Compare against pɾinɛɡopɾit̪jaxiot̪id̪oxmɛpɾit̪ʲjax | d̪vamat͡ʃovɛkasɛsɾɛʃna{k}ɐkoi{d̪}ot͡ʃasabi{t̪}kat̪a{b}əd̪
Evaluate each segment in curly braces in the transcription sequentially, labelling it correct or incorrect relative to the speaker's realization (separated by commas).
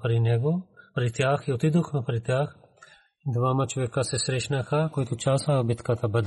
incorrect, incorrect, correct, correct